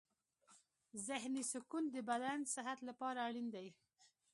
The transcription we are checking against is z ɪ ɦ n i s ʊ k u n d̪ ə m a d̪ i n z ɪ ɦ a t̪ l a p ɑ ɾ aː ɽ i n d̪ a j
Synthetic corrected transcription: z ɪ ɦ n i s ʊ k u n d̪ ə b a d̪ a n s ɪ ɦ a t̪ l a p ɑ ɾ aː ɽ i n d̪ a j